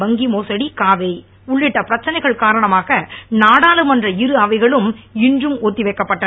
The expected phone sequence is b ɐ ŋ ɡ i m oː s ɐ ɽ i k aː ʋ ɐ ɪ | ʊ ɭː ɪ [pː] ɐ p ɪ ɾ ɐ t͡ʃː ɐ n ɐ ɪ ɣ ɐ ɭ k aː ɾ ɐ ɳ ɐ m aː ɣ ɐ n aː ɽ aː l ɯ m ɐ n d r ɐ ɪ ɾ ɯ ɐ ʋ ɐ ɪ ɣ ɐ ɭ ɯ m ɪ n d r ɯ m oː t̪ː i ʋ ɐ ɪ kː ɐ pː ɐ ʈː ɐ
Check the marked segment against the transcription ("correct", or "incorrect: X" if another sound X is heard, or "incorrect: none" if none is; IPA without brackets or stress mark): incorrect: ʈː